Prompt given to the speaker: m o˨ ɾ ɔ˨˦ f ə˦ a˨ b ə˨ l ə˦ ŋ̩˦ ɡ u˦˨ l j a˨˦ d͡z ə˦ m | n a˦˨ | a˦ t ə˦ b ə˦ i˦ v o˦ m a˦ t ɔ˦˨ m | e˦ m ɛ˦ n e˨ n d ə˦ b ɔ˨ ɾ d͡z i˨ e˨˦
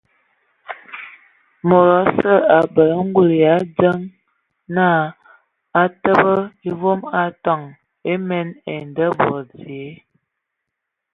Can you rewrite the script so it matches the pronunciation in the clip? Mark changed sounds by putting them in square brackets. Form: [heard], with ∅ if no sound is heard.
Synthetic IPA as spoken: m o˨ ɾ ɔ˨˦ [s] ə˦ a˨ b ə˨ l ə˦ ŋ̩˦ ɡ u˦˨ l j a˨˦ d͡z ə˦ [ŋ] | n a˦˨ | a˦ t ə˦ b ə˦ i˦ v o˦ m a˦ t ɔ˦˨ [ŋ] | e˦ m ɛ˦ n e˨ n d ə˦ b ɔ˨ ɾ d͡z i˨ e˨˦